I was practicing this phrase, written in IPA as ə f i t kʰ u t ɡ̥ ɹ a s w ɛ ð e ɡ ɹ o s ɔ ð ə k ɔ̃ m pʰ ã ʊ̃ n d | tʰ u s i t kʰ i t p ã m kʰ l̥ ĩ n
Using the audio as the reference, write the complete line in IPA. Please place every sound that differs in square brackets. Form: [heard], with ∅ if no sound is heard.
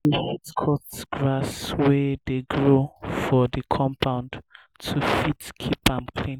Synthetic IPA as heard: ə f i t kʰ [ɔ] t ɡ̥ ɹ a s w ɛ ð e ɡ ɹ o [f] ɔ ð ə [kʰ] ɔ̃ m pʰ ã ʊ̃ n d | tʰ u [f] i t kʰ i [∅] p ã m kʰ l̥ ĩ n